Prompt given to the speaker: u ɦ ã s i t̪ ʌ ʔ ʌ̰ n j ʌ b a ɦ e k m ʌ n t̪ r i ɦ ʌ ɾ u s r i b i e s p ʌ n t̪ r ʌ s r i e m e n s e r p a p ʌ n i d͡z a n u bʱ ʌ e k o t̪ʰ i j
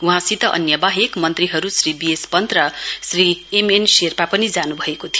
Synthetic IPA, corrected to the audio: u ɦ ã s i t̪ ʌ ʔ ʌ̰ n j ʌ b a ɦ e k m ʌ n t̪ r i ɦ ʌ ɾ u s r i b i e s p ʌ n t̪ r ʌ s r i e m e n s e r p a p ʌ n i d͡z a n u bʱ ʌ e k o t̪ʰ i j